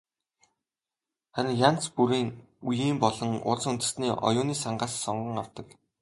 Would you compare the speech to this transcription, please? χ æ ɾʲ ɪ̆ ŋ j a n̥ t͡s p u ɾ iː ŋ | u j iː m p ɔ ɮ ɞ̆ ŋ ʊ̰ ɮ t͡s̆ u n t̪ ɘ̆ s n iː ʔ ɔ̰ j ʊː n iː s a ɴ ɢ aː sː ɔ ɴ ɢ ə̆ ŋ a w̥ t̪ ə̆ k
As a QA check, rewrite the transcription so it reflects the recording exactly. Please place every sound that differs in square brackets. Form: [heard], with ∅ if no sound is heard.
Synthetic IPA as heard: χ æ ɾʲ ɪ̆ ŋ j a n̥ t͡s p u ɾ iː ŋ | u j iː m p ɔ ɮ ɞ̆ ŋ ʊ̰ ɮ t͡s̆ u n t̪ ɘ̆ s n iː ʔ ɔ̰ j ʊː n iː s a ɴ ɢ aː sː ɔ ɴ ɢ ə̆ ŋ a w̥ t̪ ə̆ k